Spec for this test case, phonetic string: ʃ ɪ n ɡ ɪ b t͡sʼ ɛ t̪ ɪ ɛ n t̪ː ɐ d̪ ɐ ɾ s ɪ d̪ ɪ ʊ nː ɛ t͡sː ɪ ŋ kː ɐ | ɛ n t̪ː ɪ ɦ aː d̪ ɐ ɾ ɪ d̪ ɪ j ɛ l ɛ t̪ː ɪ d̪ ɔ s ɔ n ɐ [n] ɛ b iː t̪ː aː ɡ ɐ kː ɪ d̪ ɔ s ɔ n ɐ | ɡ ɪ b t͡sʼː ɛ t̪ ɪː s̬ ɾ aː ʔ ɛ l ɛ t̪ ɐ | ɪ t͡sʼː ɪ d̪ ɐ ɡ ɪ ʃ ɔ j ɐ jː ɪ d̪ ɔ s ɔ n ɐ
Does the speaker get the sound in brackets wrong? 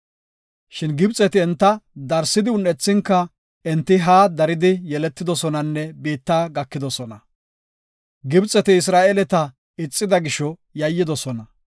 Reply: yes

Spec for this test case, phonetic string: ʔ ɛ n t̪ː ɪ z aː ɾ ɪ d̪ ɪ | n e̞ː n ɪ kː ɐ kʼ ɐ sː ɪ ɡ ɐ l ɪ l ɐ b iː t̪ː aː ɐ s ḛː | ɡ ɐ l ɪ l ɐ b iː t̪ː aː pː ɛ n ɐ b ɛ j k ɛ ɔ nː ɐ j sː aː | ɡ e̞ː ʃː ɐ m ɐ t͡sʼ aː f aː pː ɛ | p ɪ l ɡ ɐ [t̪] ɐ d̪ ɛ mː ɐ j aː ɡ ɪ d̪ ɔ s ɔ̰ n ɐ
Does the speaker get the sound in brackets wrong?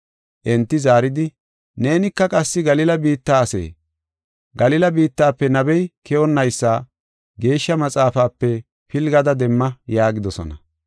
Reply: yes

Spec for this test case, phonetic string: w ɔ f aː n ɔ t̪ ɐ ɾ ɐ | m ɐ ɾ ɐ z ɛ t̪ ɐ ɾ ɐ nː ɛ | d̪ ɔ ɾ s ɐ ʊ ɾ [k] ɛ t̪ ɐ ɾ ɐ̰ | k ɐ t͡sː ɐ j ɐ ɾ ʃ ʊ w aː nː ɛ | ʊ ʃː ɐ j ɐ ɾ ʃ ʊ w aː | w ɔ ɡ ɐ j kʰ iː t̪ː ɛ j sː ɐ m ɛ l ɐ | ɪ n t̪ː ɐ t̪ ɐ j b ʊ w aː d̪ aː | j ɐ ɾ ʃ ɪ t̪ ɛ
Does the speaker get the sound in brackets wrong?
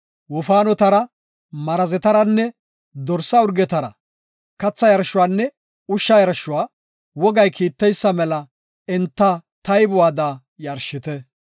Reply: yes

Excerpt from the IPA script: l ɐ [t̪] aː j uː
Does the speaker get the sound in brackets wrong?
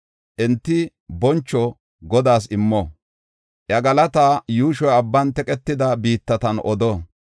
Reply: no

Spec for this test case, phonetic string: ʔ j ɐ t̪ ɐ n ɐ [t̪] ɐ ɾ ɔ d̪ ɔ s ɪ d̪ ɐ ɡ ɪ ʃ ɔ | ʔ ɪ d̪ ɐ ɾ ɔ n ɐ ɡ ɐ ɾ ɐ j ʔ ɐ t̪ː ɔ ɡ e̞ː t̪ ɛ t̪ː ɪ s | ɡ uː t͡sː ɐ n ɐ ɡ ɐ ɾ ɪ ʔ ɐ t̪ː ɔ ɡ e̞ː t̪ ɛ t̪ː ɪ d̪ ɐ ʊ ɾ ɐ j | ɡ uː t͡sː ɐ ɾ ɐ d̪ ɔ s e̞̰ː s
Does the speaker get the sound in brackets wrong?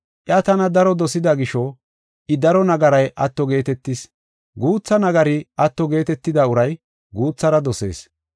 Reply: yes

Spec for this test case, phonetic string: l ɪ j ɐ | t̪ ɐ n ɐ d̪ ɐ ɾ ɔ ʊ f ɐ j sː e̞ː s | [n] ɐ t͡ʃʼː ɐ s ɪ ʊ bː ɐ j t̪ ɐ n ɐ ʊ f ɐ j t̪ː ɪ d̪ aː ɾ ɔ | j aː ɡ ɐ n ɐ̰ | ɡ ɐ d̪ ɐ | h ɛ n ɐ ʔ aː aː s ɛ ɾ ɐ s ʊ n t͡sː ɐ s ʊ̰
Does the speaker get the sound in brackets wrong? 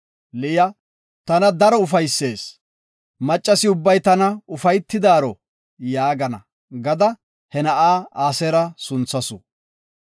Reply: yes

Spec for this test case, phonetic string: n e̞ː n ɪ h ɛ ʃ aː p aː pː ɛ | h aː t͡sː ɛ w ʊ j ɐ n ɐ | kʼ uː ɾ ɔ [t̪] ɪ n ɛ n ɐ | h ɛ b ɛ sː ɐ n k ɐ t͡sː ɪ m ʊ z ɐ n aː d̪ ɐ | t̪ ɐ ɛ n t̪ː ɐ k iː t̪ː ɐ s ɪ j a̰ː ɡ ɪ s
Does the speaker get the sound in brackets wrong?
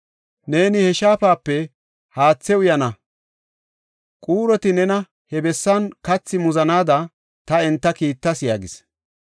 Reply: no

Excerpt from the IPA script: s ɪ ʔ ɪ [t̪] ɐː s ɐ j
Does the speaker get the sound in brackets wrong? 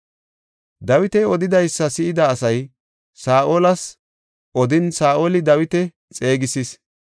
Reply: yes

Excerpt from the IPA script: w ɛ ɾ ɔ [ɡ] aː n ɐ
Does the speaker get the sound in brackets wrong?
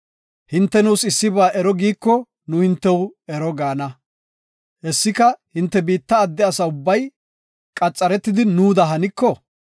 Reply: no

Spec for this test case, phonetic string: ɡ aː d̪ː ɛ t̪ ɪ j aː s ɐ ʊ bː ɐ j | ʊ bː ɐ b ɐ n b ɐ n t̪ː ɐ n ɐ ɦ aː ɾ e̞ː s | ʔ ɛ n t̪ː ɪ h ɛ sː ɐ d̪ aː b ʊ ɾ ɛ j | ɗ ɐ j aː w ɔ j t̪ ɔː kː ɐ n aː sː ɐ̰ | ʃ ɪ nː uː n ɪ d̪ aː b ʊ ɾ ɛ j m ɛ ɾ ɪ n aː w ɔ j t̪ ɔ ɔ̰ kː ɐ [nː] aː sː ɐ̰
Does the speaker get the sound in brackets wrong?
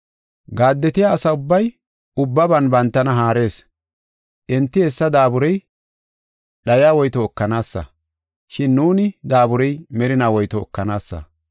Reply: yes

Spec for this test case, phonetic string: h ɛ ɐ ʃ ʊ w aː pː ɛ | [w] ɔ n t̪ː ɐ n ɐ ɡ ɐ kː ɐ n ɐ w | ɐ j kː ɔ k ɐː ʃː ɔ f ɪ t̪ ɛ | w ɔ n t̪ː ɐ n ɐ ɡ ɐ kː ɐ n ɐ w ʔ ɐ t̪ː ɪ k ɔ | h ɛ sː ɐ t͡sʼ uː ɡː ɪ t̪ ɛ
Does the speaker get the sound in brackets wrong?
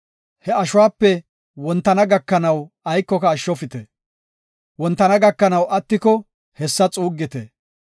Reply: no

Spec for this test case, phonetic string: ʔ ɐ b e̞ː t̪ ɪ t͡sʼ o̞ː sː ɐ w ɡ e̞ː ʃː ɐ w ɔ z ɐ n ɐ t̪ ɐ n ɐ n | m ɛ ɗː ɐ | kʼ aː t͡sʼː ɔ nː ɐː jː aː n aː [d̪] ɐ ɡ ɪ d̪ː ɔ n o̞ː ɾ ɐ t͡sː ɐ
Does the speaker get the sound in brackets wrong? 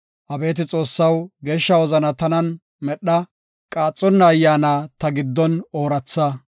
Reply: yes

